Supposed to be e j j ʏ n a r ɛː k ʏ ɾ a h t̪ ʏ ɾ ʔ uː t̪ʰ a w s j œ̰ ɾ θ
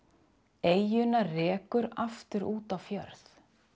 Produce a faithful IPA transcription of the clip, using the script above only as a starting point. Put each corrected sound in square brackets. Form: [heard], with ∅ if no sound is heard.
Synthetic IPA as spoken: e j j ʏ n a r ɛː k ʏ ɾ a [f] t̪ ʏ ɾ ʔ uː [t̪] a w [f] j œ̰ ɾ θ